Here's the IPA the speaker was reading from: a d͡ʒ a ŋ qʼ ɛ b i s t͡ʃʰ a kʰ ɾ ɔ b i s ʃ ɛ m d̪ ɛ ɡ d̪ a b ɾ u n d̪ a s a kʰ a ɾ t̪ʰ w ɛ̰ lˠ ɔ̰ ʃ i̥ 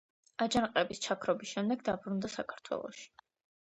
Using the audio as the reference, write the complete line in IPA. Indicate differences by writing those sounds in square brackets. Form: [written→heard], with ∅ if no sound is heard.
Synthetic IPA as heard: a d͡ʒ a [ŋ→n] qʼ ɛ b i s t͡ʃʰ a kʰ ɾ ɔ b i s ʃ ɛ m d̪ ɛ ɡ d̪ a b ɾ u n d̪ a s a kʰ a ɾ t̪ʰ w ɛ̰ lˠ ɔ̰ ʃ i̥